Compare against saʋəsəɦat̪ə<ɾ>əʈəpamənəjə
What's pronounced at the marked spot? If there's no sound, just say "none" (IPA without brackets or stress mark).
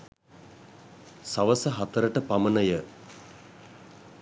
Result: ɾ